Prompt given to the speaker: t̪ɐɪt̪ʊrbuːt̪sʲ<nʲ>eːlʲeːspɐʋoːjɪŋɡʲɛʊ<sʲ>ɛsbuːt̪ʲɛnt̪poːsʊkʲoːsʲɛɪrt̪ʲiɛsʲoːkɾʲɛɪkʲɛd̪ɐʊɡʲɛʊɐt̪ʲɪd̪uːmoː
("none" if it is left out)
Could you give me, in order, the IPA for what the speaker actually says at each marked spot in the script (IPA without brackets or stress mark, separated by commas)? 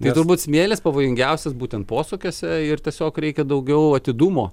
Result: mʲ, sʲ